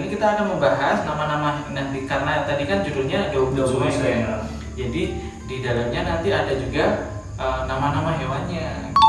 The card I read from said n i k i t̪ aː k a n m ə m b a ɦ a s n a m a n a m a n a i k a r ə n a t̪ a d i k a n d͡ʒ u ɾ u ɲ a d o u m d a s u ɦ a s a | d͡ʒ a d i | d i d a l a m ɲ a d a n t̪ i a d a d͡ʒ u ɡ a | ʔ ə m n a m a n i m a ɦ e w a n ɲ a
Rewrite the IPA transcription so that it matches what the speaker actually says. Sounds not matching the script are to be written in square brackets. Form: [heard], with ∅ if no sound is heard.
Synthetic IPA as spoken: n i k i t̪ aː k a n m ə m b a ɦ a s n a m a n a m a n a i k a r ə n a t̪ a d i k a n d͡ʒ u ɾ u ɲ a d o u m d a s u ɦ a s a | d͡ʒ a d i | d i d a l a m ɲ a [n] a n t̪ i a d a d͡ʒ u ɡ a | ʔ ə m n a m a n [a] m a ɦ e w a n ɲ a